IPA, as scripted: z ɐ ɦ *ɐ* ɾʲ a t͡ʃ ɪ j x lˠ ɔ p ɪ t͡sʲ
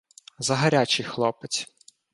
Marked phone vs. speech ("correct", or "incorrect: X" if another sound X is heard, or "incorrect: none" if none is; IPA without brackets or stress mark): correct